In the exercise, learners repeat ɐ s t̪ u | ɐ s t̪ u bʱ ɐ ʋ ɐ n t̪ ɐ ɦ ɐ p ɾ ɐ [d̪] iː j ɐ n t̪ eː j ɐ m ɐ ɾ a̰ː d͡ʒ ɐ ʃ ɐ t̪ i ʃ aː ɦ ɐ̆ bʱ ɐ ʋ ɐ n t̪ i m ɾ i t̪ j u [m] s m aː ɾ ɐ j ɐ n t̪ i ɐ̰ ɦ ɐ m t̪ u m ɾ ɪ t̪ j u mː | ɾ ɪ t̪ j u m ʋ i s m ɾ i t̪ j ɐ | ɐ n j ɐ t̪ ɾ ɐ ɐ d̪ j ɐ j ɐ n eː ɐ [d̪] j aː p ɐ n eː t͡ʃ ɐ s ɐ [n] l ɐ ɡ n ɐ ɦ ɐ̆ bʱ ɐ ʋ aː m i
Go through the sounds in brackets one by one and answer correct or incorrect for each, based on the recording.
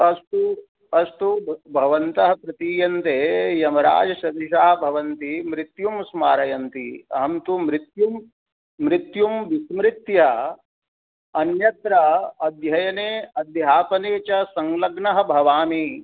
incorrect: t̪, correct, correct, incorrect: ŋ

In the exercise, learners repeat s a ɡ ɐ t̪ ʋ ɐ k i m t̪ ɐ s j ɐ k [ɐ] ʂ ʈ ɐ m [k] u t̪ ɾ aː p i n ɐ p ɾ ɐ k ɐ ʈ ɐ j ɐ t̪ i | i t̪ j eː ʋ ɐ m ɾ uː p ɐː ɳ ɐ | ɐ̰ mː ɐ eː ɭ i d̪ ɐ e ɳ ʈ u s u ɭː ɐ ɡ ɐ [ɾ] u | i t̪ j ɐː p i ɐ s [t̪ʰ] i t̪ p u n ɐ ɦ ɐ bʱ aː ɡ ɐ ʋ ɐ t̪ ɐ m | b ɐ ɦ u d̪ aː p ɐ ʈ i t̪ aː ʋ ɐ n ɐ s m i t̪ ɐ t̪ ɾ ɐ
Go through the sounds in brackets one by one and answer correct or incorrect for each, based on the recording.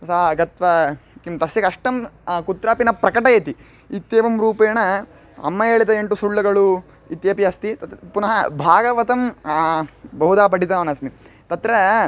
correct, correct, incorrect: ɭ, incorrect: t̪

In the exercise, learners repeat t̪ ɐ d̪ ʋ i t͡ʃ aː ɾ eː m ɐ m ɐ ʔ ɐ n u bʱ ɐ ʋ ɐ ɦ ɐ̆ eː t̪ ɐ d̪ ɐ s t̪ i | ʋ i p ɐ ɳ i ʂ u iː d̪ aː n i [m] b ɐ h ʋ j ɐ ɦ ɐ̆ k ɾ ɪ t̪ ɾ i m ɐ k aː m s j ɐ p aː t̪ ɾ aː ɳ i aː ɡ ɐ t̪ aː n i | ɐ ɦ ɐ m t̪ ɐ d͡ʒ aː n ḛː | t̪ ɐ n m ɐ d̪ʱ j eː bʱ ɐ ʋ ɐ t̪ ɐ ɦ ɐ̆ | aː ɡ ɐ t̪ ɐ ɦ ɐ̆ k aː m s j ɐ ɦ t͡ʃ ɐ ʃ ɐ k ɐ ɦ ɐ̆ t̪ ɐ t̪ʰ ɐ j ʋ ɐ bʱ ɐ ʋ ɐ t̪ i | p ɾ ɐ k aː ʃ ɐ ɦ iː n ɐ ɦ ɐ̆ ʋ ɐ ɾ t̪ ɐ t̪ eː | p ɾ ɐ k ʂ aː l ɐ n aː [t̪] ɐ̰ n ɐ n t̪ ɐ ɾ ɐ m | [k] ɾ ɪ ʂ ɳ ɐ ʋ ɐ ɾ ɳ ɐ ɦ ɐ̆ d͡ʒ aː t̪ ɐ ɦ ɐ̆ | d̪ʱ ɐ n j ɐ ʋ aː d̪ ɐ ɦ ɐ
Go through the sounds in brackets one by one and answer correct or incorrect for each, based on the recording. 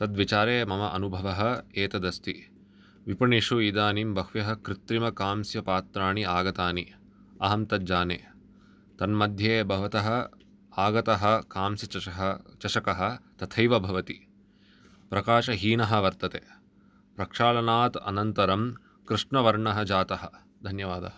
correct, correct, correct

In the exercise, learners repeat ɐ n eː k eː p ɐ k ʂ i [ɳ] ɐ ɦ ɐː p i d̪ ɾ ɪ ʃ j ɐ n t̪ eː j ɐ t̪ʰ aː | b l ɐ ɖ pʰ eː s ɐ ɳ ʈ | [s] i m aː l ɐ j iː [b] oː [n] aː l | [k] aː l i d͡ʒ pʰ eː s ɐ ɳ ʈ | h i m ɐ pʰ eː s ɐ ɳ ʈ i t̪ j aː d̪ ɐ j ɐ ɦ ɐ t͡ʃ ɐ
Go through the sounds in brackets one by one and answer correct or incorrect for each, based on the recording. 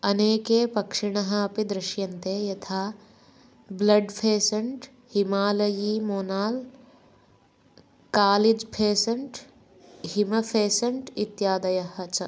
correct, incorrect: h, incorrect: m, correct, correct

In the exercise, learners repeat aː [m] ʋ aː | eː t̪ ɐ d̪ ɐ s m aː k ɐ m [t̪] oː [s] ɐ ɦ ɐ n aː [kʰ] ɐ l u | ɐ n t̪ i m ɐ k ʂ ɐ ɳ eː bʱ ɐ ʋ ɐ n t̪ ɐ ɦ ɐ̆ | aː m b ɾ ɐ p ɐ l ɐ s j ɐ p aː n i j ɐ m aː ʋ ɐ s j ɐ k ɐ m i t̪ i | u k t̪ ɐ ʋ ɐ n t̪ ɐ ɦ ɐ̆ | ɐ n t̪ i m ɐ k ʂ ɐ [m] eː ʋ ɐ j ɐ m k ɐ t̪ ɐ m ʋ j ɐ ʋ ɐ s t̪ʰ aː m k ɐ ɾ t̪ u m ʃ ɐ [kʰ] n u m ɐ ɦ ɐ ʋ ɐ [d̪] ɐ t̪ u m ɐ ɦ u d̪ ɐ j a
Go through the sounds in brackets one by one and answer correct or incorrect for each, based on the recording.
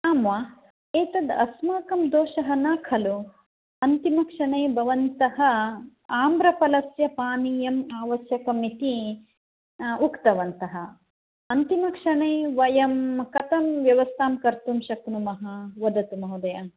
correct, incorrect: d̪, incorrect: ʃ, correct, incorrect: ɳ, incorrect: k, correct

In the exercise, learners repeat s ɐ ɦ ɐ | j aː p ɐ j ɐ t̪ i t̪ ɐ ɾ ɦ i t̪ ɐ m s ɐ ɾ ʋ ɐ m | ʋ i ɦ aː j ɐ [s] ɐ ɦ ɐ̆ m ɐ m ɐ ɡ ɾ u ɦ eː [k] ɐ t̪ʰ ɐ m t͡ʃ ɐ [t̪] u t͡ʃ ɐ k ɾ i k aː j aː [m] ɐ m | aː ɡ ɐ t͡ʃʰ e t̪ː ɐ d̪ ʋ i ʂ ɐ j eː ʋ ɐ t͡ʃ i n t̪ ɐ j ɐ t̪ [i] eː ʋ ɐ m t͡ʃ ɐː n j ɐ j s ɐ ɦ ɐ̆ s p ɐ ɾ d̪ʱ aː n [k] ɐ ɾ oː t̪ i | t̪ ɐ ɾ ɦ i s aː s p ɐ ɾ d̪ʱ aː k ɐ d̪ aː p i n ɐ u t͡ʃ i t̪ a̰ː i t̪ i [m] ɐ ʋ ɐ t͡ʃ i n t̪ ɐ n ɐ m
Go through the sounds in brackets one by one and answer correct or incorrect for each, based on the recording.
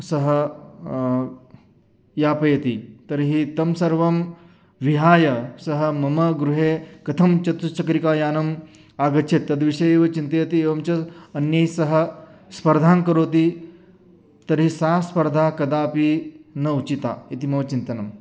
correct, correct, correct, incorrect: n, correct, correct, correct

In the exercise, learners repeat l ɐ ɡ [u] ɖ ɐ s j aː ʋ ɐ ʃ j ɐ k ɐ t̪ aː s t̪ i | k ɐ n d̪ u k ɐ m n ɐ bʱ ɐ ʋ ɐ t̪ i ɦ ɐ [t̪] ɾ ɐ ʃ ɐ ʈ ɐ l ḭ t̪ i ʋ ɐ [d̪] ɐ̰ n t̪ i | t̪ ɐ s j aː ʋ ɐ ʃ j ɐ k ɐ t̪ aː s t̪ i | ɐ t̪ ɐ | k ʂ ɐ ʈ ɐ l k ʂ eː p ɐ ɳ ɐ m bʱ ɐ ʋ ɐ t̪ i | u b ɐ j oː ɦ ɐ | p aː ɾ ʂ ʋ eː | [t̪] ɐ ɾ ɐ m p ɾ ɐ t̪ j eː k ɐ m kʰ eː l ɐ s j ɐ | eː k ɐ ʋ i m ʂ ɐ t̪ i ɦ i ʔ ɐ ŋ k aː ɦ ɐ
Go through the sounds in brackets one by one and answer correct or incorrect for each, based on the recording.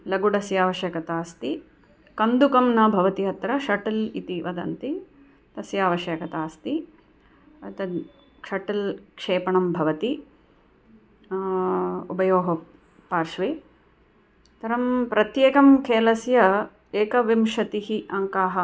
correct, correct, correct, correct

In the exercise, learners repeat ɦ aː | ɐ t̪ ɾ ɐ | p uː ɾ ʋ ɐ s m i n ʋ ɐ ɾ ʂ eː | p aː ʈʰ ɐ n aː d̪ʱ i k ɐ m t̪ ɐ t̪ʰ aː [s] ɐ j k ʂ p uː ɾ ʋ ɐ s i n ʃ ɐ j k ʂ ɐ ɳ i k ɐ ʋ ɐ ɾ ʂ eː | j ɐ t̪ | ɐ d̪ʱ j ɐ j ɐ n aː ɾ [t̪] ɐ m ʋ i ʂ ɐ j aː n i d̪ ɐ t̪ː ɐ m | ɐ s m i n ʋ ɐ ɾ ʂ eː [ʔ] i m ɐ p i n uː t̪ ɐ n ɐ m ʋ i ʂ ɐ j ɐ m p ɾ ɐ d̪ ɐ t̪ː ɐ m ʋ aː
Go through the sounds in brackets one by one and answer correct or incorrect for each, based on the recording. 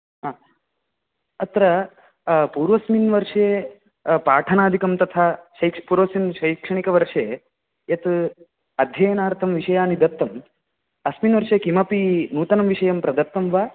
incorrect: ʃ, incorrect: t̪ʰ, incorrect: k

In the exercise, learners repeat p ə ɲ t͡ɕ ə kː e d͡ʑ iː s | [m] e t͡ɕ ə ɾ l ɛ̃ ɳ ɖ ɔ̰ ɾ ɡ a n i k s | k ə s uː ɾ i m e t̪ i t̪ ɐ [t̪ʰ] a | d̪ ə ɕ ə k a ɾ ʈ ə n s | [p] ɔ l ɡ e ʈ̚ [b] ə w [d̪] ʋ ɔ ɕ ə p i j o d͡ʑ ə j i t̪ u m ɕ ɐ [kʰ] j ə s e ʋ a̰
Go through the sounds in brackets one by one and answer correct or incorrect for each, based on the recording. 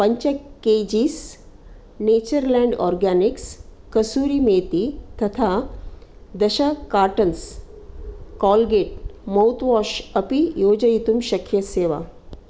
incorrect: n, correct, incorrect: k, incorrect: m, incorrect: t̪, correct

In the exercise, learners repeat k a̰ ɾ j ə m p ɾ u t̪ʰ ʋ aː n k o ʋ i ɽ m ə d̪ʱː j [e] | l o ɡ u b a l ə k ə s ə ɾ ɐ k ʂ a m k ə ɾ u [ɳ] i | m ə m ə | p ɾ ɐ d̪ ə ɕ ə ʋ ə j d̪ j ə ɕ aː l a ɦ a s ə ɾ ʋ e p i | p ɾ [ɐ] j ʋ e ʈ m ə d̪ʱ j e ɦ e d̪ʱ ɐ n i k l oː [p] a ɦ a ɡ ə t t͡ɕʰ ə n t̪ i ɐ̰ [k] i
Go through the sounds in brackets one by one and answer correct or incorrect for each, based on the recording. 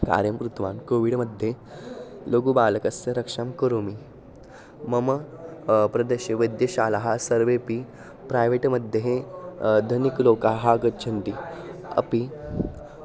correct, incorrect: m, incorrect: a, incorrect: k, incorrect: p

